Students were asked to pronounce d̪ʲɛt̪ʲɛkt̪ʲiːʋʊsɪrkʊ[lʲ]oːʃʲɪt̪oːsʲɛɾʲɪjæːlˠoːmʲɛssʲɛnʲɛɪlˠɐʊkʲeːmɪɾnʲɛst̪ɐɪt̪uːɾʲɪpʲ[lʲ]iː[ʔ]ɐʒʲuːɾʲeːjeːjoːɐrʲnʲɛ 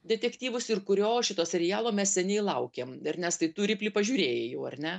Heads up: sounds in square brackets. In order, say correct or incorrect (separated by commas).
incorrect, correct, incorrect